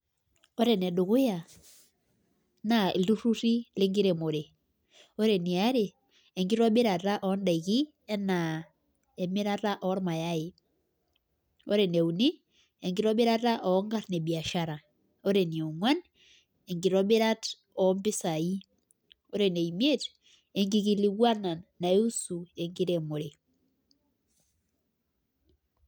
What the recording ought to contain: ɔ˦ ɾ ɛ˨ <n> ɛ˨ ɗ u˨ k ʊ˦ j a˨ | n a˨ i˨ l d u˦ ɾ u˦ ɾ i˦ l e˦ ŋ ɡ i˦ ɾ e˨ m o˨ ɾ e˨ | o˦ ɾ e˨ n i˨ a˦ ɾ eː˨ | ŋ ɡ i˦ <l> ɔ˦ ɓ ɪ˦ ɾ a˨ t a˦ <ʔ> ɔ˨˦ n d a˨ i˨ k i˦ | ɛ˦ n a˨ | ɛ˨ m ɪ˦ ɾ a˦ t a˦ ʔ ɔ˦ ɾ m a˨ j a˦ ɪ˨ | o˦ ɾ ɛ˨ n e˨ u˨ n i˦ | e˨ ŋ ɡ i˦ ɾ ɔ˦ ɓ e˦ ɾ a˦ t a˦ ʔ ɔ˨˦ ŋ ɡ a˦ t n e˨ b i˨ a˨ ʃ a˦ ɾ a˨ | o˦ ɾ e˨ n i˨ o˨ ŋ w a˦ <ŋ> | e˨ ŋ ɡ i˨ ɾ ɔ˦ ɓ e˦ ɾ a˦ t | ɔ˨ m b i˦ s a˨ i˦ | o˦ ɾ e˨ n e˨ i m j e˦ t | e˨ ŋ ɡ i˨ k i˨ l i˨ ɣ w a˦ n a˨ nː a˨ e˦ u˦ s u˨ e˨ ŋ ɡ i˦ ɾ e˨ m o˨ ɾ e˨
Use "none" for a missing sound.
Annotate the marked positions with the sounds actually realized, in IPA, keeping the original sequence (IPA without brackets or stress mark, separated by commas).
n, ɾ, ʔ, n